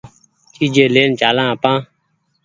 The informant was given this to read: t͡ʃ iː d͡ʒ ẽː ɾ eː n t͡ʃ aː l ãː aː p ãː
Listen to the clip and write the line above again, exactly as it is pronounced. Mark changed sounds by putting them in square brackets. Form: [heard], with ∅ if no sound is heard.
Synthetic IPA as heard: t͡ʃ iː d͡ʒ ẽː [l] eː n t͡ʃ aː l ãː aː p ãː

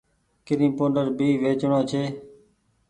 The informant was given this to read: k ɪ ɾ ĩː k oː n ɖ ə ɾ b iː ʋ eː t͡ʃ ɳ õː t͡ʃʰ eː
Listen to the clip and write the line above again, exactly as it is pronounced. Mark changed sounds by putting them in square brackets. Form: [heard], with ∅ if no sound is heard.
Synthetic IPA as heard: k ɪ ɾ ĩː [p] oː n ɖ ə ɾ b iː ʋ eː t͡ʃ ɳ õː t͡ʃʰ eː

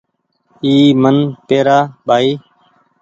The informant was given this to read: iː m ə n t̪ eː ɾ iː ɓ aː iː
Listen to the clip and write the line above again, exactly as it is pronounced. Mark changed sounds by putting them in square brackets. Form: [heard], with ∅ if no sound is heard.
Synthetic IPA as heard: iː m ə n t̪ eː ɾ [aː] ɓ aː iː

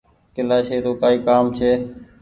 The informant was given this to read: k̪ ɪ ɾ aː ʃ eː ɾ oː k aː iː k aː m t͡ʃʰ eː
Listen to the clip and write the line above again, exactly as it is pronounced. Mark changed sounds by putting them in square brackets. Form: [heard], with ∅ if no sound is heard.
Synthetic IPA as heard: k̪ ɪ [l] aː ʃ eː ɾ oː k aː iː k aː m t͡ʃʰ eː

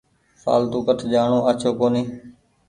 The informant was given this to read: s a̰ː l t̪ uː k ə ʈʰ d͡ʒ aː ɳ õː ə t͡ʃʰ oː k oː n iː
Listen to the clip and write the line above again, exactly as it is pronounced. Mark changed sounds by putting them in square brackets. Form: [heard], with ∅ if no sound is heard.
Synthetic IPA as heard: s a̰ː l t̪ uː k ə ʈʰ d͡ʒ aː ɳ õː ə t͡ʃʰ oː k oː n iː

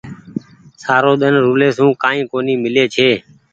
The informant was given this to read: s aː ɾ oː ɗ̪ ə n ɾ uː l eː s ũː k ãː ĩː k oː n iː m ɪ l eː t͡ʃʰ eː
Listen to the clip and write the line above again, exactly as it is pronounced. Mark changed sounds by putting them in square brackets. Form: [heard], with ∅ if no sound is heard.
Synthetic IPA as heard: s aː ɾ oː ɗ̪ ə n ɾ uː l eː s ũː k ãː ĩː k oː n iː m ɪ l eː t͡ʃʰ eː

